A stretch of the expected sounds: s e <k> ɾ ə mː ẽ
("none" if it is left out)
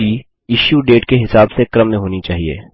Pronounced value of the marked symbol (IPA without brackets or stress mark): k